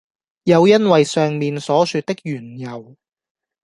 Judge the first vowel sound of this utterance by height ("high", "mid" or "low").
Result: low